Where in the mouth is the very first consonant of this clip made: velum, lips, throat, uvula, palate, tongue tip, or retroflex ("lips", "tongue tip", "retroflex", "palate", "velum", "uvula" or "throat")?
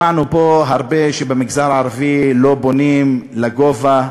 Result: tongue tip